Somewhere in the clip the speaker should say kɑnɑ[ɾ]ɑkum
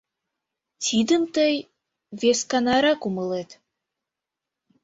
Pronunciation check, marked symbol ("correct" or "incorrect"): correct